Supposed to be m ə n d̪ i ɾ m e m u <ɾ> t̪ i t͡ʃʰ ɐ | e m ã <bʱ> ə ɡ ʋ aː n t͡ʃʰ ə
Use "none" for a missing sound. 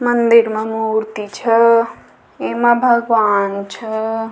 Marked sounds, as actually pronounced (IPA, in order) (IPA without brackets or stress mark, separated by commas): ɾ, bʱ